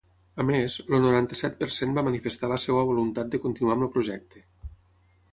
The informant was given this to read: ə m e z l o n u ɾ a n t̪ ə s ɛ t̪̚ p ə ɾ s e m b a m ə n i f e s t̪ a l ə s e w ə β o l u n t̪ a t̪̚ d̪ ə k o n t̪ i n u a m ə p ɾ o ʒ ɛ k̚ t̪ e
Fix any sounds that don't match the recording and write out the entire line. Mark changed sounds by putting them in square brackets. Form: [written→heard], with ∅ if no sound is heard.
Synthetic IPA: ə m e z l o n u ɾ a n t̪ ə s ɛ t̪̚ p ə ɾ s e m b a m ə n i f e s t̪ a l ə s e w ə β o l u n t̪ a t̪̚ d̪ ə k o n t̪ i n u a m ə p ɾ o ʒ ɛ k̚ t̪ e